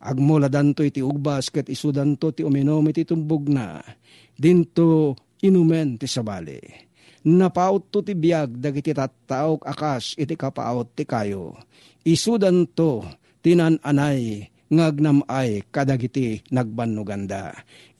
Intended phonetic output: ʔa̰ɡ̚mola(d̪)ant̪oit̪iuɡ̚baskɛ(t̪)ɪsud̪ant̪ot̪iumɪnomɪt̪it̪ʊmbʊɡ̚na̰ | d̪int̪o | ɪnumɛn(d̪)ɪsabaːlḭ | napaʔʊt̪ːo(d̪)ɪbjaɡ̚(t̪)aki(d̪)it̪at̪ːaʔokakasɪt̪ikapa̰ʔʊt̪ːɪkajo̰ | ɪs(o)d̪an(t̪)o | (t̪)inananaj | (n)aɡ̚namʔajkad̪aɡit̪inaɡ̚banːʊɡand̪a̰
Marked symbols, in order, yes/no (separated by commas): yes, yes, no, no, no, no, no, yes, yes, no